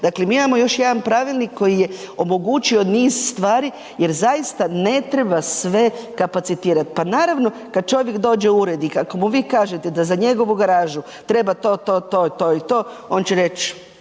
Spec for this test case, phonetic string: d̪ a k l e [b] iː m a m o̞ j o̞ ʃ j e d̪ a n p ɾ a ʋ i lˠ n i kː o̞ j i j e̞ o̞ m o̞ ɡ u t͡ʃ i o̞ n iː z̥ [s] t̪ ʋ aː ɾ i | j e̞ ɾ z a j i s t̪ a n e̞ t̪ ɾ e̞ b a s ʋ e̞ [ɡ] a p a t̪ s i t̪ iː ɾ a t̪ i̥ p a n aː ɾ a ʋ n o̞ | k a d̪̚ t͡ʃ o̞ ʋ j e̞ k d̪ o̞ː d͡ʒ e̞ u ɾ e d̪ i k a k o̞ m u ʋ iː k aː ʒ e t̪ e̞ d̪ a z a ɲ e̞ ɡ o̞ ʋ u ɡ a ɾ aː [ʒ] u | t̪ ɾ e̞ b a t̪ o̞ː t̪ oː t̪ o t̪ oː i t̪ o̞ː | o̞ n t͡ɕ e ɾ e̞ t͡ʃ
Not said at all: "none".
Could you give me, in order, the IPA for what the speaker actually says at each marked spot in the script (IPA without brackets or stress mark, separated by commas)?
m, s, k, ʒ